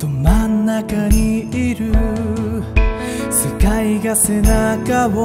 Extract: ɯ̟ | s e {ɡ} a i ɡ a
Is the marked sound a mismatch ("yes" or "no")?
yes